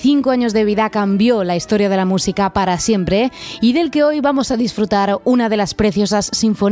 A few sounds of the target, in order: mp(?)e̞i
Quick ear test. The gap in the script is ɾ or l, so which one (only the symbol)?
ɾ